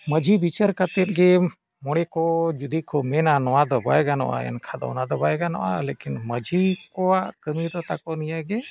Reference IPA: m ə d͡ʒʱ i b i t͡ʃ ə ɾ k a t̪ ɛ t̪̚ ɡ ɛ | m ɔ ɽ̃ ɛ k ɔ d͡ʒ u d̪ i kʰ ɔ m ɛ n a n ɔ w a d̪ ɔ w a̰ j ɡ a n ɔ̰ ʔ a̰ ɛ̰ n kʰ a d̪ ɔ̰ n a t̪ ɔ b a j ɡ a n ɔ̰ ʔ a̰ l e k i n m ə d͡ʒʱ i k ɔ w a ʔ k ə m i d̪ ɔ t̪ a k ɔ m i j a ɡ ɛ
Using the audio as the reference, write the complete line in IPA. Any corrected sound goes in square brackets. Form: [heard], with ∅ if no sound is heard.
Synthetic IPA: m ə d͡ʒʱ i b i t͡ʃ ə ɾ k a t̪ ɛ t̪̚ ɡ ɛ | m ɔ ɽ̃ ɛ k ɔ d͡ʒ u d̪ i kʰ ɔ m ɛ n a n ɔ w a d̪ ɔ [b] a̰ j ɡ a n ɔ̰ ʔ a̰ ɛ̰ n kʰ a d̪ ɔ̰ n a [d̪] ɔ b a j ɡ a n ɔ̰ ʔ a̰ l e k i n m ə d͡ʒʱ i k ɔ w a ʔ k ə m i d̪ ɔ t̪ a k ɔ [n] i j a ɡ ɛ